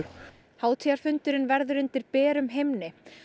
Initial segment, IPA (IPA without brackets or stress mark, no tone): h